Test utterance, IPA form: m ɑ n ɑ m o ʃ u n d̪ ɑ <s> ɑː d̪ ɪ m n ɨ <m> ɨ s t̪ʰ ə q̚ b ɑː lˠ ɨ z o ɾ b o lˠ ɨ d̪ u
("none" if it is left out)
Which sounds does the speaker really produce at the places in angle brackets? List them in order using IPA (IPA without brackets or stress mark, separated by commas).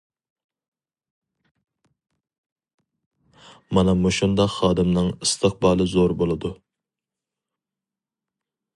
χ, ŋ